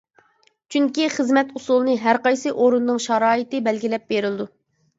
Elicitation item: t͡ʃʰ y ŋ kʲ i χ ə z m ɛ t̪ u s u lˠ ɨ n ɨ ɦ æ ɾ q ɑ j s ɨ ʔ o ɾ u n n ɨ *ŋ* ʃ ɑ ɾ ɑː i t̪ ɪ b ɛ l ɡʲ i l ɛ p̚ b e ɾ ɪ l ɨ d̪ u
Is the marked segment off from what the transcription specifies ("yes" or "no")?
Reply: no